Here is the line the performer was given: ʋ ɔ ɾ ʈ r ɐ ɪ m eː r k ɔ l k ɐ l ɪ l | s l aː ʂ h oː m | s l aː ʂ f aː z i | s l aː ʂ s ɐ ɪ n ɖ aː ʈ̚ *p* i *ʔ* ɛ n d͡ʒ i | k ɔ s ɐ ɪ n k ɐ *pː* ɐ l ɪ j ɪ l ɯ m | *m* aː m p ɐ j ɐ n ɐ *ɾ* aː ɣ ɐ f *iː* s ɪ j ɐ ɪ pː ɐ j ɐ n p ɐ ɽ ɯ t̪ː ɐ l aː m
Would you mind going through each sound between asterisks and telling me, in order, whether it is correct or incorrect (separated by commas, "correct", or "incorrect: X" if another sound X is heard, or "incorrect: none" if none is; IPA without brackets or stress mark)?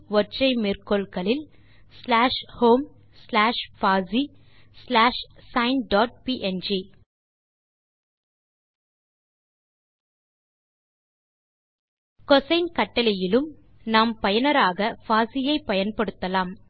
correct, correct, incorrect: ʈː, incorrect: n, correct, incorrect: aː